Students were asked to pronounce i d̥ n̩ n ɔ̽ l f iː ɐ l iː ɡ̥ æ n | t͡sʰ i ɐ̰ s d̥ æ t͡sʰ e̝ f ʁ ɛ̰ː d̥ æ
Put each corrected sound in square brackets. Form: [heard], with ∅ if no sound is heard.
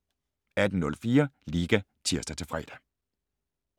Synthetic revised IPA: [æ] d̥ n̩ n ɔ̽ l f iː ɐ l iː ɡ̥ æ [∅] | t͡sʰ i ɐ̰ s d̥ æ t͡sʰ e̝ f ʁ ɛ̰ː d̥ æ